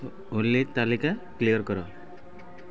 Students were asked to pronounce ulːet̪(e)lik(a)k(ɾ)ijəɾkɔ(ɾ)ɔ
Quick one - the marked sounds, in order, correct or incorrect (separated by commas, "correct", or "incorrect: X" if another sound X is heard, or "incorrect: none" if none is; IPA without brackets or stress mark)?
incorrect: a, correct, incorrect: l, correct